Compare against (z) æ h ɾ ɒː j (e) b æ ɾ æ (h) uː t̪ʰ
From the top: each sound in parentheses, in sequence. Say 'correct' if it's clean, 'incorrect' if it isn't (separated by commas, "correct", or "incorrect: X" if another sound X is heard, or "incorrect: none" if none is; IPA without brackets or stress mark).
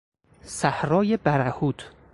incorrect: s, correct, correct